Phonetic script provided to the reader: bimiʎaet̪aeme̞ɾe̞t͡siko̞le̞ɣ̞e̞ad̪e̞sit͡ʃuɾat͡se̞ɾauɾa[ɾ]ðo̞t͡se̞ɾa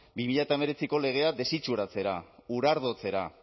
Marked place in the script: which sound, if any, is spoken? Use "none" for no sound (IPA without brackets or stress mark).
ɾ